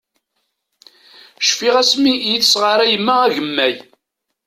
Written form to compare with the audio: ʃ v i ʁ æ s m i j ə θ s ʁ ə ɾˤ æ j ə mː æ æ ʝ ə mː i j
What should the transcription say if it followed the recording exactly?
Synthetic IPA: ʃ f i ʁ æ s m i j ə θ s ʁ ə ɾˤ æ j ə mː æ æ ʝ ə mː æ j

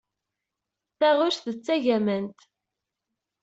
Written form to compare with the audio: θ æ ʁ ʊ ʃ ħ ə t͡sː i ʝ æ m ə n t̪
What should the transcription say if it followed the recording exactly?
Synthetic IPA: θ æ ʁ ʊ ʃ θ ə t͡sː æ ʝ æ m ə n t̪

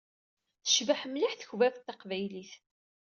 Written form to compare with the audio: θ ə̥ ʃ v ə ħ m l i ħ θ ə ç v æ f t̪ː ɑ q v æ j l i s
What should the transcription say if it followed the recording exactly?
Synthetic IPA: θ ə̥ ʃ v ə ħ m l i ħ θ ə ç v æ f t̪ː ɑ q v æ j l i θ

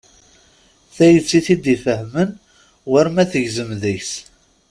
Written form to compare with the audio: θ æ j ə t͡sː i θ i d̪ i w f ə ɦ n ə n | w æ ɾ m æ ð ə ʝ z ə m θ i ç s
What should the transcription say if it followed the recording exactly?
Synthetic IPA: θ æ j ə t͡sː i θ i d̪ i f ə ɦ m ə n | w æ ɾ m æ θ ə ʝ z ə m ð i ç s

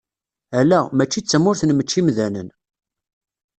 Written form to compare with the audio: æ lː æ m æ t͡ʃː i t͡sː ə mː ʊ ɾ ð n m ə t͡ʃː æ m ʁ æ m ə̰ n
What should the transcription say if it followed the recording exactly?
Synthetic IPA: æ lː æ m æ t͡ʃː i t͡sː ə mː ʊ ɾ θ n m ə t͡ʃː i m ð æ n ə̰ n

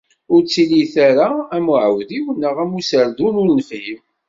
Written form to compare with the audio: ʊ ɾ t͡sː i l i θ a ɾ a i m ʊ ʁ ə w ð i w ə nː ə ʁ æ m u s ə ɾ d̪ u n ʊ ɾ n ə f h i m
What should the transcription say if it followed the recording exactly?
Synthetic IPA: ʊ ɾ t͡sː i l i θ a ɾ a æ m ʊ ʕ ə w ð i w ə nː ə ʁ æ m u s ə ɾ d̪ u n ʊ ɾ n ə f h i m

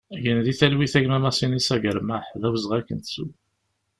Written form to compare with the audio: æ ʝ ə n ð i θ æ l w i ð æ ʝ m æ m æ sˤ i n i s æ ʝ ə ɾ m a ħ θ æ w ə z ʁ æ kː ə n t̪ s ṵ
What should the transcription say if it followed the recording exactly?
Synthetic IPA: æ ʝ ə n ð i θ æ l w i θ æ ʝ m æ m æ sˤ i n i s æ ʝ ə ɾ m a ħ ð æ w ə z ʁ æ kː ə n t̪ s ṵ

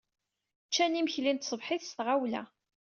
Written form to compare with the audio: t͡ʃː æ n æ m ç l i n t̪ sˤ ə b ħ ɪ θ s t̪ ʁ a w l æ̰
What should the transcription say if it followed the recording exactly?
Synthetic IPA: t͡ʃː æ n i m ç l i n t̪ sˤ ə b ħ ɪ θ s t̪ ʁ a w l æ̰

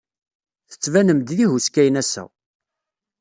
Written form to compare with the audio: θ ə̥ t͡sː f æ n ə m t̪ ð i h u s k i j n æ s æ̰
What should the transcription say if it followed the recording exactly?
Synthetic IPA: θ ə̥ t͡sː v æ n ə m d̪ ð i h u s k æ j n æ s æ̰

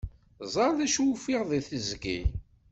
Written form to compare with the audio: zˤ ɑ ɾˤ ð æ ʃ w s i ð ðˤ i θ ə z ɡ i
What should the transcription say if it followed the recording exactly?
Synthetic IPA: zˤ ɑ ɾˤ ð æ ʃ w f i ʁ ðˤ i θ ə z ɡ i

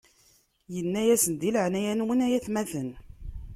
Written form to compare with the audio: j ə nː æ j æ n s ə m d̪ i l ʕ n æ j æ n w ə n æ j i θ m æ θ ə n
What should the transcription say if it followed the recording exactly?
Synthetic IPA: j ə nː æ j æ s ə n d̪ i l ʕ n æ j æ n w ə n æ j æ θ m æ θ ə n

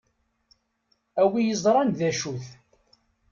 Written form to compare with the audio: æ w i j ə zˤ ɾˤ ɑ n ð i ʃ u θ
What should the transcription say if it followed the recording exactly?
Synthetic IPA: æ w i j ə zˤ ɾˤ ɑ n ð æ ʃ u θ

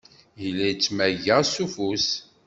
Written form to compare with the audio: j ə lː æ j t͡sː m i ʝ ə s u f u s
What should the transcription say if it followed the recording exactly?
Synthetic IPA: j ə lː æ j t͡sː m æ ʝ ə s u f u s

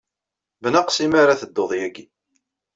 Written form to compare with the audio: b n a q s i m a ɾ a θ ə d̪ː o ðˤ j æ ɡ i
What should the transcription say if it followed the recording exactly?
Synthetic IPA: b n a q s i m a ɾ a θ ə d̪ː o ðˤ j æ ɡ i

